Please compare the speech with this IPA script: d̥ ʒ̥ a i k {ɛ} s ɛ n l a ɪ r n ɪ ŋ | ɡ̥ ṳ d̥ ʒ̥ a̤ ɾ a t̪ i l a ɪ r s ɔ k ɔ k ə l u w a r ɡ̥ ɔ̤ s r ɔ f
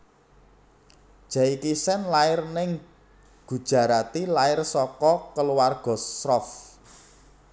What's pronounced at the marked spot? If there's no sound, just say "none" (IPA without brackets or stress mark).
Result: i